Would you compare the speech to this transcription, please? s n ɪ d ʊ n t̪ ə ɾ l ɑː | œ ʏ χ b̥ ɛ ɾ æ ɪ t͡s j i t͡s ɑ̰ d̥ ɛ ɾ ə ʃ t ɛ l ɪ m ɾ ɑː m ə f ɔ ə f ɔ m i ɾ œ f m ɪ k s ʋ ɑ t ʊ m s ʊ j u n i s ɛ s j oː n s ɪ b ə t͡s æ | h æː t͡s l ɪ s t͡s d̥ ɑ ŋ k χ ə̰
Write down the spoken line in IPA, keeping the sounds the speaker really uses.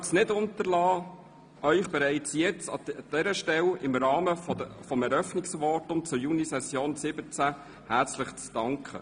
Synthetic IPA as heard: s n ɪ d ʊ n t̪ ə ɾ l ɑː | œ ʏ χ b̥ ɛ ɾ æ ɪ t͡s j ɛ t͡s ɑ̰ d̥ ɛ ɾ ə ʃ t ɛ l ɪ m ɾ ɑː m ə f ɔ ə f ɔ m ɛ ɾ œ f n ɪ k s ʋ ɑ t ʊ m t͡s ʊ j u n i s ɛ s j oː n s ɪ b ə t͡s æ | h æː t͡s l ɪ χ t͡s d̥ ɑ ŋ k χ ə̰